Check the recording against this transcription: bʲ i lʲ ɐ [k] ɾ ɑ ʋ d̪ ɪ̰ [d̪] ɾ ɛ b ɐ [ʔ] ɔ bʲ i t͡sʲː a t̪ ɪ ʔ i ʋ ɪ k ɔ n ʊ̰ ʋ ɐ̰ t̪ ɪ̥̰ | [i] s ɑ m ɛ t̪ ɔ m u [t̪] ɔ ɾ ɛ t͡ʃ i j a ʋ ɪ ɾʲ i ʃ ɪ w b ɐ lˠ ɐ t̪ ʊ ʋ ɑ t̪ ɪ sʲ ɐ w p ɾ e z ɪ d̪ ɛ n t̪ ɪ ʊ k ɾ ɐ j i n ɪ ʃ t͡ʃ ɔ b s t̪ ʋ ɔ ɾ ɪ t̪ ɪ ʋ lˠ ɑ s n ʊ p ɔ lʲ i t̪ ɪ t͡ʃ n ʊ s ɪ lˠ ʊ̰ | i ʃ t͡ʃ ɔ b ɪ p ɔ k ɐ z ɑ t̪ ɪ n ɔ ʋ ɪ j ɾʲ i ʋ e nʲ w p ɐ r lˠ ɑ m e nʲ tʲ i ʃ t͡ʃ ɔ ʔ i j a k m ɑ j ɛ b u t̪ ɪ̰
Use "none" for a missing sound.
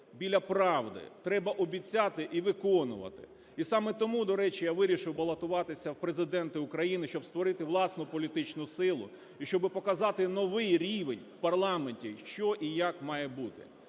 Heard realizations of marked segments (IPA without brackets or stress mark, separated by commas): p, t̪, ʔ, i, d̪